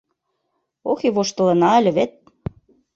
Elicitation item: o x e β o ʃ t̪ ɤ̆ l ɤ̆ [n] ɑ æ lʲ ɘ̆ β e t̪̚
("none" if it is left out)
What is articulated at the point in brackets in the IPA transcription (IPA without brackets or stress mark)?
n